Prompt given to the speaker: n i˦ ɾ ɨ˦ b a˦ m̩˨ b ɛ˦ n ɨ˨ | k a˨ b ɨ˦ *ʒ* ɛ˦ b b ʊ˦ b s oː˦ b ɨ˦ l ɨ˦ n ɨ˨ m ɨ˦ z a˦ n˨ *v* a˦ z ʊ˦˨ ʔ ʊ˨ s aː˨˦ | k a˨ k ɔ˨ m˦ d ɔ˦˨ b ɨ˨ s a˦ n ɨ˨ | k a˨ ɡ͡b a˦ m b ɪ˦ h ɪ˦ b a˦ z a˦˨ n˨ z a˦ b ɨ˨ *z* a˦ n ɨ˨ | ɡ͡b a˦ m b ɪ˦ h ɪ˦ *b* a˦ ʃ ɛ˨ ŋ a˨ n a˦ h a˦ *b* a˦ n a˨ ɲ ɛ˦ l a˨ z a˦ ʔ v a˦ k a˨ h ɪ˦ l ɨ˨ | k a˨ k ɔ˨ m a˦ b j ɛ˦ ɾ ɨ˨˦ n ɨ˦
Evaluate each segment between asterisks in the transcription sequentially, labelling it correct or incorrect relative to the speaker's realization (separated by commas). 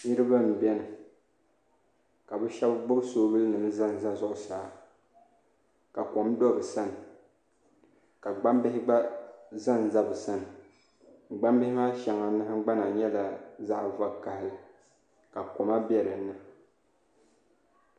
incorrect, incorrect, incorrect, incorrect, incorrect